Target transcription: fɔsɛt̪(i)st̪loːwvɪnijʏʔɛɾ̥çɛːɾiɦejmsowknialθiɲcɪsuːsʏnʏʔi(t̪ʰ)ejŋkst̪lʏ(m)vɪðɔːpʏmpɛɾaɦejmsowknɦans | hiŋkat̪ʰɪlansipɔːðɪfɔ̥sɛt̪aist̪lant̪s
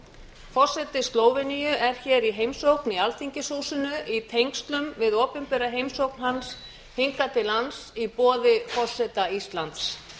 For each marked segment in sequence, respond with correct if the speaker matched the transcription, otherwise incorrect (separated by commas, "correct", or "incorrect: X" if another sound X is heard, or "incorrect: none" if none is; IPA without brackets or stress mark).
incorrect: ɪ, correct, correct